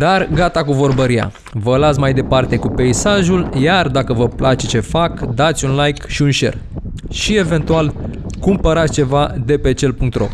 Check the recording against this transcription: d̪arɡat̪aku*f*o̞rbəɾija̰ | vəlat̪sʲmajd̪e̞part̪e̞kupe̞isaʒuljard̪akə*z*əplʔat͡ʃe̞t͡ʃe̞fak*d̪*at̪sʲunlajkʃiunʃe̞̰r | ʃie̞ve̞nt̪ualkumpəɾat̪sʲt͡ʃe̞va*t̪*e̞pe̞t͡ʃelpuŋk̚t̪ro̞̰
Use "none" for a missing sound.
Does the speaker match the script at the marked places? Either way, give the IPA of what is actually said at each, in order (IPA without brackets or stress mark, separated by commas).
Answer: v, v, d̪, d̪